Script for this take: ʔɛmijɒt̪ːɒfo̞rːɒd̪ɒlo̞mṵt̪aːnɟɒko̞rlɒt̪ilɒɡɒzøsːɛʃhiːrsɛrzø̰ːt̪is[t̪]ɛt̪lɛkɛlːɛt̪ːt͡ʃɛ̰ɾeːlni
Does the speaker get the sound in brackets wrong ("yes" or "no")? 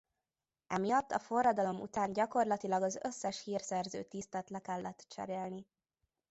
no